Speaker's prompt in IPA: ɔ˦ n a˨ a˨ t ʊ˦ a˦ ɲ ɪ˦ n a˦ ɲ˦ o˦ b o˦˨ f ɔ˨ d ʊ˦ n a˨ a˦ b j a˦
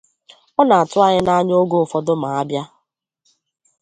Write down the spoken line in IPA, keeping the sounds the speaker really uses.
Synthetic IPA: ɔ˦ n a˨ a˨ t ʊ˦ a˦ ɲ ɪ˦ n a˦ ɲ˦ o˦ ɡ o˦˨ f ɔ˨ d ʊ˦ m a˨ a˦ b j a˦